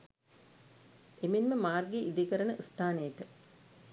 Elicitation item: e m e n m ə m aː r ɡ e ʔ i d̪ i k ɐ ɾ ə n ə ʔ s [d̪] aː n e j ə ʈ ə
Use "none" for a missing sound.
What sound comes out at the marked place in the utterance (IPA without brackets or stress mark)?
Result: t̪